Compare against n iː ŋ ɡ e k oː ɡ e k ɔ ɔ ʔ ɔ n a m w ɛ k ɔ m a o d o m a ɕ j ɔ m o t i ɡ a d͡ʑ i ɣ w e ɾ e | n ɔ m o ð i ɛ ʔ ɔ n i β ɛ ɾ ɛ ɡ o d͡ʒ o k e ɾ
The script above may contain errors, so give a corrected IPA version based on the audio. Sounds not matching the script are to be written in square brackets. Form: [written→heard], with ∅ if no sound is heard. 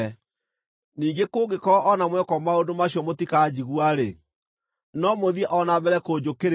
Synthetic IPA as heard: n iː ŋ ɡ e k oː ɡ e k ɔ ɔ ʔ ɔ n a m w ɛ k ɔ m a o d o m a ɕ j ɔ m o t i [ɡ→k] a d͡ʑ i ɣ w [e→a] ɾ e | n ɔ m o ð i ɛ ʔ ɔ n [i→a] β ɛ ɾ ɛ [ɡ→k] o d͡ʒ o k e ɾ